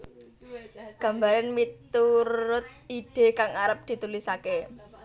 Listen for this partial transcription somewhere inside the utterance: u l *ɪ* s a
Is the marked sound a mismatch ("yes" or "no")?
yes